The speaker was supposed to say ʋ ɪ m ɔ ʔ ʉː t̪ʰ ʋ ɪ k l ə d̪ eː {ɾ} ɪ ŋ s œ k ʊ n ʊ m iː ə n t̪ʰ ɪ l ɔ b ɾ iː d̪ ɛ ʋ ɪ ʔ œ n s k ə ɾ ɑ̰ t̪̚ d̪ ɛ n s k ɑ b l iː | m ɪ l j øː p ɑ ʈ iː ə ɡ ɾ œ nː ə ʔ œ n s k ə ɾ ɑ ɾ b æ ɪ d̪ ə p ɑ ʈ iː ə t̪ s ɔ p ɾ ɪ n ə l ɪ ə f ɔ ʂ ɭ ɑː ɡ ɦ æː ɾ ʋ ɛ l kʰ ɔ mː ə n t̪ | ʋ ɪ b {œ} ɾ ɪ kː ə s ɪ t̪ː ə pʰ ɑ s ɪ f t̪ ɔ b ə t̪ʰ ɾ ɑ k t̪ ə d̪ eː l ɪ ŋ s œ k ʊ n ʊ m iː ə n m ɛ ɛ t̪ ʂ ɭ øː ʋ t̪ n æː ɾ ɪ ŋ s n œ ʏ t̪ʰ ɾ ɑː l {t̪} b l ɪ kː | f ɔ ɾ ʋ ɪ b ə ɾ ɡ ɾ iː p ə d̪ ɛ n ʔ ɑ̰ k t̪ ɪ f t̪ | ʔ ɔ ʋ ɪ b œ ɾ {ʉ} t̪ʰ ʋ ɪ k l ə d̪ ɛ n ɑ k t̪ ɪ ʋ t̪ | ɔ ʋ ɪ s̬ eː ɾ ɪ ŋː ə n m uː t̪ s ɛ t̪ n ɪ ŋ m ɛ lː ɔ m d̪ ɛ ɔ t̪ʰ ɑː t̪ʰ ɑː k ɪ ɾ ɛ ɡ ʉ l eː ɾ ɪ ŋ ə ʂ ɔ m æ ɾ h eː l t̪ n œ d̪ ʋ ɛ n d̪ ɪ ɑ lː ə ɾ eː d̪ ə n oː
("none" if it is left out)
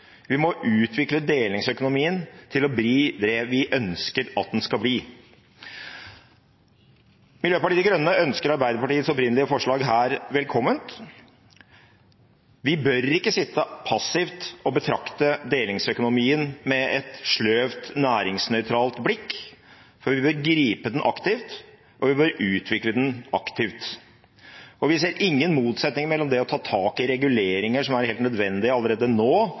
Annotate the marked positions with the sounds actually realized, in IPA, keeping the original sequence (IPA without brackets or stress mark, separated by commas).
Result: l, œ, t̪, ʉː